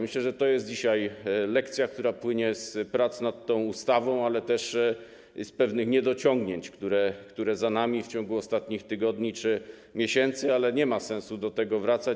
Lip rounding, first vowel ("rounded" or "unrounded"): unrounded